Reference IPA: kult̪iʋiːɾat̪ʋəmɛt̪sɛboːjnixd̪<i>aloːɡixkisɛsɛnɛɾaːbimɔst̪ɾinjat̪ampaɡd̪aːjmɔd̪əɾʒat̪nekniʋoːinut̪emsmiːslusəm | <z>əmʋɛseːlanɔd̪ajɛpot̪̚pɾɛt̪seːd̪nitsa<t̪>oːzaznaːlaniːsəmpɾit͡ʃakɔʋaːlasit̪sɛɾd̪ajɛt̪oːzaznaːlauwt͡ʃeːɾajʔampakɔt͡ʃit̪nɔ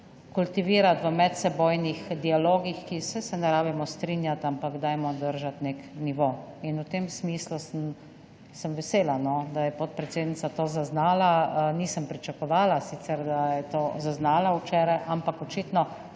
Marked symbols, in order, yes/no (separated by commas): yes, no, yes